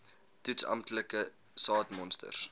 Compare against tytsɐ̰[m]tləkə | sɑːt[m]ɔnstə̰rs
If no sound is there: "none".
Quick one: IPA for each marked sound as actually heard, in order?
m, m

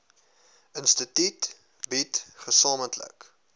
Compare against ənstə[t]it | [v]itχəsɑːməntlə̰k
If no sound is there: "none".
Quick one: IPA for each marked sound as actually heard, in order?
t, b

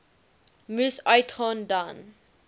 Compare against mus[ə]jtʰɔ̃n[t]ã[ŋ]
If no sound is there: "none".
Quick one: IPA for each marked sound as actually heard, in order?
a, d, n

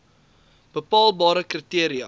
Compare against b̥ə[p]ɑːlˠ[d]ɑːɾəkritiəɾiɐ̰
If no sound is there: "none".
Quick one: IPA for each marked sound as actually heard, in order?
p, b

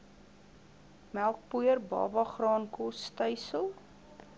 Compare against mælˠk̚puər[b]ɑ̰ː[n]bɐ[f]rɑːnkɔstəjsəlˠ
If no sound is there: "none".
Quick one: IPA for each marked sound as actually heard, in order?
b, none, χ

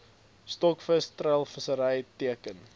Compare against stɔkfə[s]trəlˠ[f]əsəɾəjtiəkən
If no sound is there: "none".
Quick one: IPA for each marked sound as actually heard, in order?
s, f

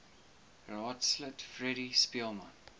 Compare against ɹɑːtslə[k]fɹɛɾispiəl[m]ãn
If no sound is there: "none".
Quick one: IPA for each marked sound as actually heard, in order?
t, m

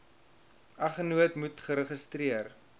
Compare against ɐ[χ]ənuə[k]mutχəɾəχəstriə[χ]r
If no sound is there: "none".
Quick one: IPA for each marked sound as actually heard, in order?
χ, t, none

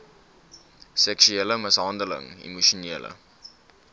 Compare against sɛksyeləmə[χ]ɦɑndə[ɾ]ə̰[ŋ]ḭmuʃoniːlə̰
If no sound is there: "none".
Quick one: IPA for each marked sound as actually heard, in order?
s, l, ŋ

